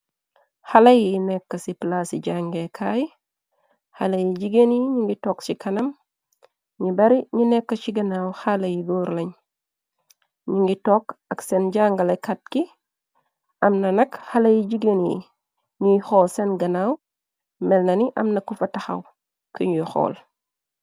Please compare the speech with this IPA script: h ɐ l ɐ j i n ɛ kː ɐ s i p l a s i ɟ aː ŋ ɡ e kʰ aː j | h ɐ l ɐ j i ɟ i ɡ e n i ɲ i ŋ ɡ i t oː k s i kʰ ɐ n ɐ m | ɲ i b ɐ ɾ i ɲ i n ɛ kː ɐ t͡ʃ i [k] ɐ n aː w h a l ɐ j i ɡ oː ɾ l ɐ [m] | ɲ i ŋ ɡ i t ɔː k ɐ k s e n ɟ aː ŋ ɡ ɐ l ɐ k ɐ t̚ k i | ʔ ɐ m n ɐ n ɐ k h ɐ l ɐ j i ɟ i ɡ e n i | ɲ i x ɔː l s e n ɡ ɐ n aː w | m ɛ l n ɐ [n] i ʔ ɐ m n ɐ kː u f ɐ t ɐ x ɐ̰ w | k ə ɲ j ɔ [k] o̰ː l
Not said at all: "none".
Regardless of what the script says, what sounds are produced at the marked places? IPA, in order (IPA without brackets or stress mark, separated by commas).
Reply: ɡ, ɲ, n, x